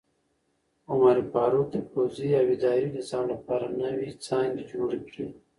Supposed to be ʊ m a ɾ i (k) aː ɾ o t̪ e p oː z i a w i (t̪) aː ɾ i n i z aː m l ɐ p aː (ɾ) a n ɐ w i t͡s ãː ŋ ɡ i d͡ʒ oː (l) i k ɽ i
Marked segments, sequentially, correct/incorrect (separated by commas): incorrect, incorrect, correct, incorrect